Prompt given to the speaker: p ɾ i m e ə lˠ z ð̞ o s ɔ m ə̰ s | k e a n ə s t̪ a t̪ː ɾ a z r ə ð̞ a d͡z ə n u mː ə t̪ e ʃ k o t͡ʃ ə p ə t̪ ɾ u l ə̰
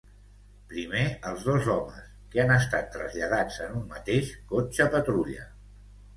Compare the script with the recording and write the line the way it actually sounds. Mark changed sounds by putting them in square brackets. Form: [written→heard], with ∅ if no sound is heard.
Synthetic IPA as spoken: p ɾ i m e ə lˠ z ð̞ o [s→z] ɔ m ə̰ s | k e a n ə s t̪ a t̪ː ɾ [a→ə] z [r→ʎ] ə ð̞ a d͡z ə n u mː ə t̪ e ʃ k o t͡ʃ ə p ə t̪ ɾ u [l→ʎ] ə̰